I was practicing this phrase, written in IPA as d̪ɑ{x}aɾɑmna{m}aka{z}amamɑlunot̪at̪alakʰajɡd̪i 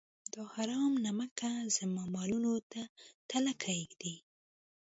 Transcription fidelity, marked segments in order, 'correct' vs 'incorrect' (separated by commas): incorrect, correct, correct